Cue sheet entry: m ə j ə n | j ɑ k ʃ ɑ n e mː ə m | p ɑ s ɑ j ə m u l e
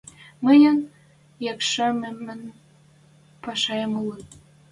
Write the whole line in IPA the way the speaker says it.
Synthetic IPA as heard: m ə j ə n | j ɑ k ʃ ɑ m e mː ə n | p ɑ ʃ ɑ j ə m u l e